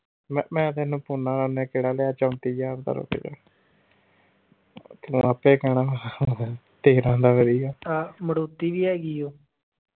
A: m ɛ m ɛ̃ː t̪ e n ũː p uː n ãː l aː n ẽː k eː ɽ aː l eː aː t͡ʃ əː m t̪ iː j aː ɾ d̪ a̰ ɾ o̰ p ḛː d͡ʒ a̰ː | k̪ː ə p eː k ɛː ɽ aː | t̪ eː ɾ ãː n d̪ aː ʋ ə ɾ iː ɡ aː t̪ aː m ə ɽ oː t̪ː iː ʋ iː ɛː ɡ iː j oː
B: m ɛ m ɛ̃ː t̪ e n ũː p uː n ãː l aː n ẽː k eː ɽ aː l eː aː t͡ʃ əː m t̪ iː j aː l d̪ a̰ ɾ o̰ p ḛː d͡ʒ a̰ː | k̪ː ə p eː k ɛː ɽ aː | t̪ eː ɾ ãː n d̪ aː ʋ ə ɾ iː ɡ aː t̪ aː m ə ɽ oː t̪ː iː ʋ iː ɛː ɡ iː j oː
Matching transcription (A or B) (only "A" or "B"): A